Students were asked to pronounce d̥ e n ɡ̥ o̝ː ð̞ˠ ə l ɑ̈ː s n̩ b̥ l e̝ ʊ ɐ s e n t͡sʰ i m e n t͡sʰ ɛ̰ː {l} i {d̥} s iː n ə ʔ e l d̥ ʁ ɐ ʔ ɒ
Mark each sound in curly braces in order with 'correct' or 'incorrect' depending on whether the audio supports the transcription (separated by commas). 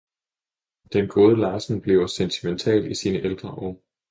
correct, incorrect